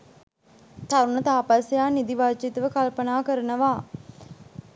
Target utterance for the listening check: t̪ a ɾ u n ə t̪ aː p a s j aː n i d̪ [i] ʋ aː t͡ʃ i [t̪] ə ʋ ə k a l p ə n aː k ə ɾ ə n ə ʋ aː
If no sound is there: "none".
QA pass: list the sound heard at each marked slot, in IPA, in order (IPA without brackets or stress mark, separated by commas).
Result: i, t̪